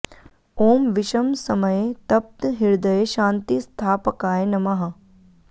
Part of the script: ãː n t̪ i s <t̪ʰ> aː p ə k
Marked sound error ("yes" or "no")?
no